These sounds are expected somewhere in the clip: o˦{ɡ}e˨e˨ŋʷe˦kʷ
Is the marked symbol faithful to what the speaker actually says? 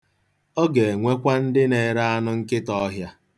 yes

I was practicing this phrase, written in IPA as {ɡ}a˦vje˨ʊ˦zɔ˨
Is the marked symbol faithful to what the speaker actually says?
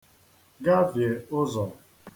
yes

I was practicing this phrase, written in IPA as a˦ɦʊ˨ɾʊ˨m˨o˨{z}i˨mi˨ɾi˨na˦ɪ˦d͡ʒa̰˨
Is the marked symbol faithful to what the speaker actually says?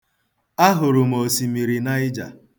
no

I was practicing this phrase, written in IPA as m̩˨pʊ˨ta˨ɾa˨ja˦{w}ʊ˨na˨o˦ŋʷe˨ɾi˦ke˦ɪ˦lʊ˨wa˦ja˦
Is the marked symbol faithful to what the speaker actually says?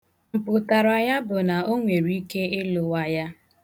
no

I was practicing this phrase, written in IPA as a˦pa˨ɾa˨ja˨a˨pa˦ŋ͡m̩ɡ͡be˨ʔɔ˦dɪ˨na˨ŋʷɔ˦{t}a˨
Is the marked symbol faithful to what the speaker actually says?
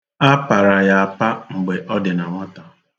yes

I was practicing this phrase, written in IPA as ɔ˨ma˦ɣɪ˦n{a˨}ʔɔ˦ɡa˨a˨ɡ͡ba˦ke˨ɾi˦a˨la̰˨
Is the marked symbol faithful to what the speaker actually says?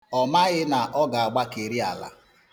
yes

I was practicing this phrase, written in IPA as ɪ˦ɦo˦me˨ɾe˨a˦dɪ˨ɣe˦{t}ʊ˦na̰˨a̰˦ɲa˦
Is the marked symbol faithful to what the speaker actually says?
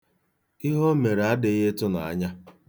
yes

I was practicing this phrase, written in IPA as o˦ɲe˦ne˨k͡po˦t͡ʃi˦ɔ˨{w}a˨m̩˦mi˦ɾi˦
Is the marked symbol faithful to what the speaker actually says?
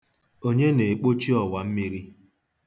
yes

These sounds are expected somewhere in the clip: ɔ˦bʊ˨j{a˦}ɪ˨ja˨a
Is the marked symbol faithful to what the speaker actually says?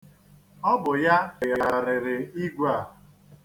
yes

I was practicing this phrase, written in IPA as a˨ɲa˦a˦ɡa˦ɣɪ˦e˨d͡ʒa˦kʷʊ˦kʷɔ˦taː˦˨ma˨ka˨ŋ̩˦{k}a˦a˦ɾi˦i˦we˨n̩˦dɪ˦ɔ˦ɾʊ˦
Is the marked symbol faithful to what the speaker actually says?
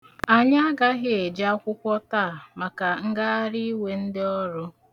no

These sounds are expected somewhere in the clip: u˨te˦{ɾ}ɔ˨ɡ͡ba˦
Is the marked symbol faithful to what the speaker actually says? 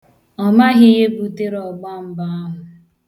yes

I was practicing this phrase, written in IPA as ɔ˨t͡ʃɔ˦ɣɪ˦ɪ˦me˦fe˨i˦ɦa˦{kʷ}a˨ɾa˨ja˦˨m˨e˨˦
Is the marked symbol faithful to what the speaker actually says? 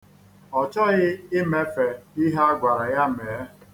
no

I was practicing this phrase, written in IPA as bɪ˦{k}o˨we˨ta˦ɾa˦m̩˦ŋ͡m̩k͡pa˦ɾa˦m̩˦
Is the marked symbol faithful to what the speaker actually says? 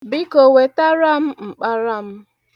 yes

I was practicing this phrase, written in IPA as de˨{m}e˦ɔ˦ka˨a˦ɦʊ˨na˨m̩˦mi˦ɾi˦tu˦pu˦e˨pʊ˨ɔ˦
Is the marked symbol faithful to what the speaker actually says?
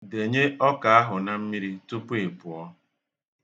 no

